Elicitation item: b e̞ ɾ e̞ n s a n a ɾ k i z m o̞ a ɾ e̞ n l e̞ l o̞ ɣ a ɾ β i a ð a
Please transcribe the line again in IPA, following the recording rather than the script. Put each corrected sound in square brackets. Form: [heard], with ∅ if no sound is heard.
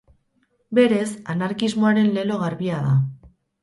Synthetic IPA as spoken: b e̞ ɾ e̞ [∅] s a n a ɾ k i z m o̞ a ɾ e̞ n l e̞ l o̞ ɣ a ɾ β i a ð a